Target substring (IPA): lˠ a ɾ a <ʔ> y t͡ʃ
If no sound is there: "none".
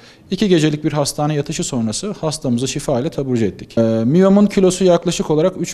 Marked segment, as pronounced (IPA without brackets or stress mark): k